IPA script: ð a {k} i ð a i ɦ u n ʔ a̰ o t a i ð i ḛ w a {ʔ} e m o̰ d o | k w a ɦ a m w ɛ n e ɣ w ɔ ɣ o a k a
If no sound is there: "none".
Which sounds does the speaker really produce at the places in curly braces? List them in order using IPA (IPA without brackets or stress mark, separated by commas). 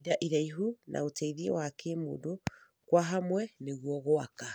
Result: ʔ, k